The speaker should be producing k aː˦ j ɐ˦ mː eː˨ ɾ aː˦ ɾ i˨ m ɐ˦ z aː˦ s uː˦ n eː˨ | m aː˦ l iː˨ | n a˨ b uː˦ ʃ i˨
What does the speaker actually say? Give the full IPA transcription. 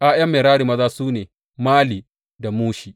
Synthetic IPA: ʔ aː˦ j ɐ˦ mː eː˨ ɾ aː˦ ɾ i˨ m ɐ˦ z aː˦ s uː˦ n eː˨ | m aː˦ l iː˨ | d a˨ m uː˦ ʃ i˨